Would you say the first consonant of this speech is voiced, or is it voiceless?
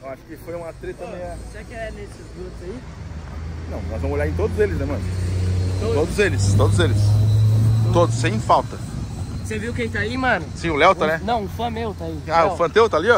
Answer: voiced